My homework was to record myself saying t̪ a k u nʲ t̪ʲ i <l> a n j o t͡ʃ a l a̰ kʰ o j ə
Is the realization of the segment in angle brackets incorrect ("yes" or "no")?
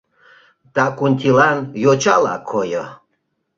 no